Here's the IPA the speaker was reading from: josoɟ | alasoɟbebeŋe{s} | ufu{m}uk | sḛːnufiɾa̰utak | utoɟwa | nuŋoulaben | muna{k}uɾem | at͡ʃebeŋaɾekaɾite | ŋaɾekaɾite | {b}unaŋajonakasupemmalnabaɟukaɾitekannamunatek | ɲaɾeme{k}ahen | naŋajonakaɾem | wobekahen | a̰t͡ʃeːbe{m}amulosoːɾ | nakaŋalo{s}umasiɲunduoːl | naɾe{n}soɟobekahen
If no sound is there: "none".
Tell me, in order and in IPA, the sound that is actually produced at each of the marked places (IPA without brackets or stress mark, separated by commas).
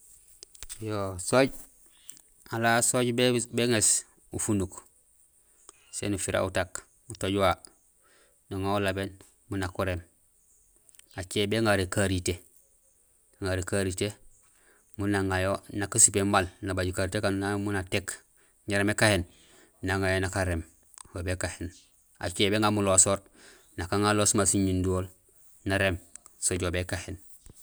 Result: s, n, k, m, k, ŋ, s, m